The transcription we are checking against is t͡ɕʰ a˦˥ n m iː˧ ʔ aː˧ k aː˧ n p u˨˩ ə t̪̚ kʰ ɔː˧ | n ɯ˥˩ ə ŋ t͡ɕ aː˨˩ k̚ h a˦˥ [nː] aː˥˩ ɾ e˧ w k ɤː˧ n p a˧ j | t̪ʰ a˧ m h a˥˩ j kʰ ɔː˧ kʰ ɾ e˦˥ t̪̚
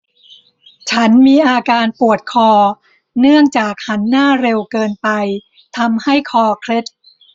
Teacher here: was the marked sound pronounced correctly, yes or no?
yes